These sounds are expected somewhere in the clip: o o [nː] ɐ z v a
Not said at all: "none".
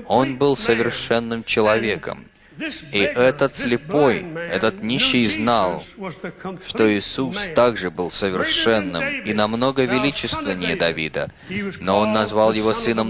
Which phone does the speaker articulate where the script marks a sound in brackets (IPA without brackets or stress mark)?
nː